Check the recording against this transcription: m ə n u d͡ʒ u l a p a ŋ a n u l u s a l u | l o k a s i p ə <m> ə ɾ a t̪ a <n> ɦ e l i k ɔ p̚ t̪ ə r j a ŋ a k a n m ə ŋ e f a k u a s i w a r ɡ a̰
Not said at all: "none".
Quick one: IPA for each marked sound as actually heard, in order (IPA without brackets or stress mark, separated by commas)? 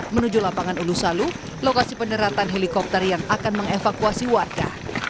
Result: n, n